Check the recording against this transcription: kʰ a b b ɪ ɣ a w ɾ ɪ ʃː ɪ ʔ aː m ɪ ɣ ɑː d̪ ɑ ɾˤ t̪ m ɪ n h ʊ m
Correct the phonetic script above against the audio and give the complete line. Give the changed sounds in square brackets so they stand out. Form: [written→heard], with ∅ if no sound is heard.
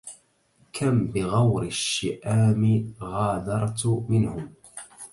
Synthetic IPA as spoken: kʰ a [b→m] b ɪ ɣ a w ɾ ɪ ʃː ɪ ʔ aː m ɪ ɣ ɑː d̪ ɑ ɾˤ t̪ m ɪ n h ʊ m